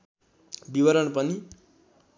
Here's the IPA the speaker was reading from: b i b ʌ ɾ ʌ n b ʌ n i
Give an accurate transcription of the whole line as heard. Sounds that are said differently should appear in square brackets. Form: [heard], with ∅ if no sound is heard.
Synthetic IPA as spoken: b i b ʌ ɾ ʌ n [p] ʌ n i